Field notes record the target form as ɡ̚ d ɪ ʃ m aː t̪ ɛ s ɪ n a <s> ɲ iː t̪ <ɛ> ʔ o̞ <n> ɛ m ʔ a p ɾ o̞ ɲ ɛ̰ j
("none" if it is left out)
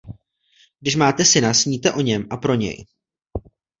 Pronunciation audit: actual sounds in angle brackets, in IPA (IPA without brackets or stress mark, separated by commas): s, ɛ, ɲ